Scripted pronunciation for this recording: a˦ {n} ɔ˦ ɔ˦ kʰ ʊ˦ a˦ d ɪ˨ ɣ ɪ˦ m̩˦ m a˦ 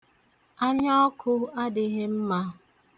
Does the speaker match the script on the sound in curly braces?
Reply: no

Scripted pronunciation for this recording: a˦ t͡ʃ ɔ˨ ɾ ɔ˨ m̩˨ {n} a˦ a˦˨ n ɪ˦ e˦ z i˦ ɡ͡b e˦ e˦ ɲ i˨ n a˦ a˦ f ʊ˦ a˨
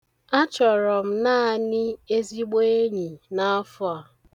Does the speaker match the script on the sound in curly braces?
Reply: yes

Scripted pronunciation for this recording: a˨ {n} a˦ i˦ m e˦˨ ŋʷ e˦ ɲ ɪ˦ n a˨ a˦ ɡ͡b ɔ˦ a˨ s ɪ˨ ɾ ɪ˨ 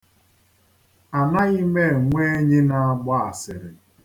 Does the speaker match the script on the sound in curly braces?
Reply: yes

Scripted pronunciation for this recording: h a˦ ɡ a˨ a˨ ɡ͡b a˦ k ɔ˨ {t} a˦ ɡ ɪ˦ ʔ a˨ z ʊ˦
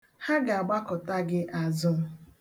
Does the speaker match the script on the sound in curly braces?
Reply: yes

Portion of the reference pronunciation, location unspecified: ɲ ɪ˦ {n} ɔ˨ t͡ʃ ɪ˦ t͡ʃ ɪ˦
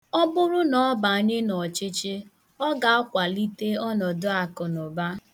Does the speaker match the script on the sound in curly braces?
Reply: yes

